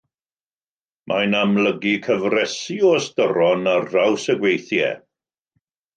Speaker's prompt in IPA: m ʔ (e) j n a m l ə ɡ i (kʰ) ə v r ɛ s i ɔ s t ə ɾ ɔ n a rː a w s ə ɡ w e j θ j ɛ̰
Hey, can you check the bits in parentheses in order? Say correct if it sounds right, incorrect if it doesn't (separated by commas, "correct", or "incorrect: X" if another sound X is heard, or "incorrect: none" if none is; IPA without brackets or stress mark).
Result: incorrect: a, correct